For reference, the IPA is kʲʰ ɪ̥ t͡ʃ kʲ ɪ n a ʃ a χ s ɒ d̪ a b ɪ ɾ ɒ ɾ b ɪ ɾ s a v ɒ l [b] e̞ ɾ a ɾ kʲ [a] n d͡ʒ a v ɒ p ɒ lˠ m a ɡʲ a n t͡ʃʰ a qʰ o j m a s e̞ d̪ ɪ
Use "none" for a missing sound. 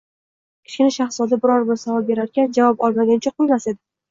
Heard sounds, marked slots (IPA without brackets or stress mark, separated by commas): b, a